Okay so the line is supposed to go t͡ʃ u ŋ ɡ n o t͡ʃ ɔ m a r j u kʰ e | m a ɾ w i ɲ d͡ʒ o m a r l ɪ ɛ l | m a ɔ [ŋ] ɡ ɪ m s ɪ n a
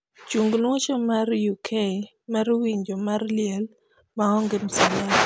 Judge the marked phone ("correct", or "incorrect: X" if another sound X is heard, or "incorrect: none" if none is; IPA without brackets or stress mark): correct